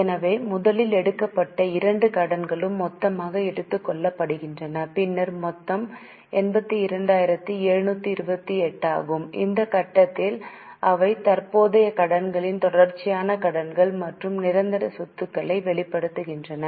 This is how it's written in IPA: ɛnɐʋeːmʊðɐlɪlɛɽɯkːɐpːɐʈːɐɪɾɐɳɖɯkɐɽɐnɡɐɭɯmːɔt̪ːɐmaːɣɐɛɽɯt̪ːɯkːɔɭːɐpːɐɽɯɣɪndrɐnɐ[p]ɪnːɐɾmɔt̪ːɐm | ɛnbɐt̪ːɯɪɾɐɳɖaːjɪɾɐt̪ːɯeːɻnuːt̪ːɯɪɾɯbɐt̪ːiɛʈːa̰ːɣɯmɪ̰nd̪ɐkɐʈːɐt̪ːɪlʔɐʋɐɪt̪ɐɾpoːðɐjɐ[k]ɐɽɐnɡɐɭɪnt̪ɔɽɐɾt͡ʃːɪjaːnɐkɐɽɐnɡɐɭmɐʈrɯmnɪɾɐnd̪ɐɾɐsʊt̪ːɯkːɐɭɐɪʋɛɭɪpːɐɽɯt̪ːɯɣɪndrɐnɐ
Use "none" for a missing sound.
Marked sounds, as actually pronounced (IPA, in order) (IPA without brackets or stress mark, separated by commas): p, k